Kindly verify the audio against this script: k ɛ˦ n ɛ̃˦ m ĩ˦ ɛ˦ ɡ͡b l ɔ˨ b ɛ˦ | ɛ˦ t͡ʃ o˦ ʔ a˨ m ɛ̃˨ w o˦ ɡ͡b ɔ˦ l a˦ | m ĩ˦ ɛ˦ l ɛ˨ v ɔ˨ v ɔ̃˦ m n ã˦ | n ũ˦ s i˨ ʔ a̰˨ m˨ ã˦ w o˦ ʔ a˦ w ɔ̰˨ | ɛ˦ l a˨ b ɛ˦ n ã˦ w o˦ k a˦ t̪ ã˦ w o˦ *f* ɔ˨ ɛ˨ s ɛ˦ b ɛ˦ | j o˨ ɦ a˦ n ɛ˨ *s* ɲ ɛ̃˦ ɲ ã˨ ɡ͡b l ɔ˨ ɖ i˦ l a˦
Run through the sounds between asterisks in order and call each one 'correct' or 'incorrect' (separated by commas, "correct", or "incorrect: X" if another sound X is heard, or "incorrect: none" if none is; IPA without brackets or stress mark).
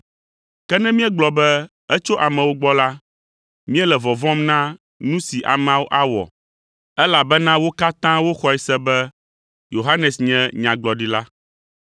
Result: incorrect: x, correct